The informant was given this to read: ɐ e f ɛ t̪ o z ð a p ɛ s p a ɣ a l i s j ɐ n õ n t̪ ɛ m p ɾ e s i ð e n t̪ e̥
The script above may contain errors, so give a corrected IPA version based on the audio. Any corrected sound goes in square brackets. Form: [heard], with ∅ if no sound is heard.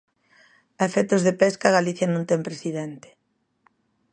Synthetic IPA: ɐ e f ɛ t̪ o z ð [e] p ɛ s [k] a ɣ a l i [θ] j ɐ n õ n t̪ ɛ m p ɾ e s i ð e n t̪ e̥